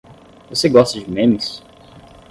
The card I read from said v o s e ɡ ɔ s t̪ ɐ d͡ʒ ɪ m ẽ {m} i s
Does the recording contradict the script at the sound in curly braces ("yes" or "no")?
no